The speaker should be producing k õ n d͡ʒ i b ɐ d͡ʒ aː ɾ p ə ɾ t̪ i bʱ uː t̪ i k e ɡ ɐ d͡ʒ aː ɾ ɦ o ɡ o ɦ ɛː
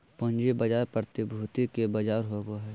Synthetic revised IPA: p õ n d͡ʒ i b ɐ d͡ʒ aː ɾ p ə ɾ t̪ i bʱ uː t̪ i k e b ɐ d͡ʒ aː ɾ ɦ o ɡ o ɦ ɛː